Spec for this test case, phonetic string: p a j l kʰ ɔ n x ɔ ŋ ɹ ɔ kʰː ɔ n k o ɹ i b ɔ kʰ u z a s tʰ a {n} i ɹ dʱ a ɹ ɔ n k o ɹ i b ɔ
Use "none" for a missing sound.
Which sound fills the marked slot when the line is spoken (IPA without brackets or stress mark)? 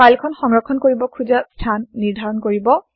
nː